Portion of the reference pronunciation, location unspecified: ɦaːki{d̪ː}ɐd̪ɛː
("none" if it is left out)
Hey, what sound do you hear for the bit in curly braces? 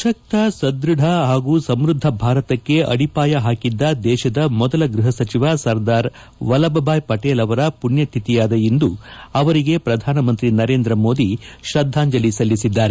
d̪ː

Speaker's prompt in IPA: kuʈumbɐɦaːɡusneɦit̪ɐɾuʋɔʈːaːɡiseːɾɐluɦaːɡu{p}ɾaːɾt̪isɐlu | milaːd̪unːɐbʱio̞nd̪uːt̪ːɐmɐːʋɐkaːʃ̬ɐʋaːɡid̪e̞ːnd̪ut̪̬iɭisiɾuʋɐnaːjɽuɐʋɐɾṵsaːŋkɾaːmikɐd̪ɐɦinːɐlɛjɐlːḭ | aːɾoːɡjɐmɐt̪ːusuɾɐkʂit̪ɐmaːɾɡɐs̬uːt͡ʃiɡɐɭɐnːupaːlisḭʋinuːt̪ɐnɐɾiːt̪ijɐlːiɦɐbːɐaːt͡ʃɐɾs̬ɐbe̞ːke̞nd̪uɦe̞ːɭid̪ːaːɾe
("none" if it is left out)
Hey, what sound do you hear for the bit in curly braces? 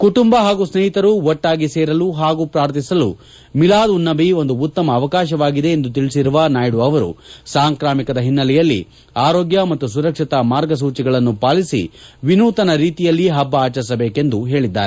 p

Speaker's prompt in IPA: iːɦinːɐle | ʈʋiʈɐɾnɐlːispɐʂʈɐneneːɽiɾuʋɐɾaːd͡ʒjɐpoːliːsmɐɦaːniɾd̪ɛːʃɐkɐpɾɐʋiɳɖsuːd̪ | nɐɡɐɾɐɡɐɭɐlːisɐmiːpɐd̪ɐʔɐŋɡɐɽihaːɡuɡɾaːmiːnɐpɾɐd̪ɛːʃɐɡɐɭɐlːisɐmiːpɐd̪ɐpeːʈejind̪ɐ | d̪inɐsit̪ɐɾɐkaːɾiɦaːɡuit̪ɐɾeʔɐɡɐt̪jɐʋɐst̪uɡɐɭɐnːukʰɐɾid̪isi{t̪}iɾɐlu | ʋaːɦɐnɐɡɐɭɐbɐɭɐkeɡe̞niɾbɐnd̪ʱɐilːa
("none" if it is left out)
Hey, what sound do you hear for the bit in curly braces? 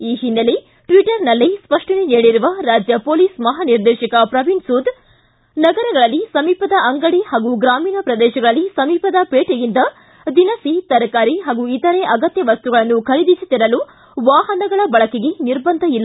t̪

